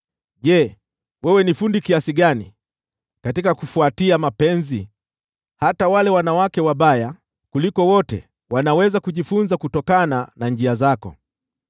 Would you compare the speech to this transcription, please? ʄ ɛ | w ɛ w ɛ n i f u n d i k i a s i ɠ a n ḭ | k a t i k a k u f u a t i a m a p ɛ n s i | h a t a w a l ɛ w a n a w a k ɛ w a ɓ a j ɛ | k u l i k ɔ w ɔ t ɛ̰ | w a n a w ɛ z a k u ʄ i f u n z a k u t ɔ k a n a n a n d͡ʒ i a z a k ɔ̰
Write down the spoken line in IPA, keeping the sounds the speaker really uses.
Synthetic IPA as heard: ʄ ɛ | w ɛ w ɛ n i f u n d i k i a s i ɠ a n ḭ | k a t i k a k u f u a t i a m a p ɛ n z i | h a t a w a l ɛ w a n a w a k ɛ w a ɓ a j a | k u l i k ɔ w ɔ t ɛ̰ | w a n a w ɛ z a k u ʄ i f u n z a k u t ɔ k a n a n a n d͡ʒ i a z a k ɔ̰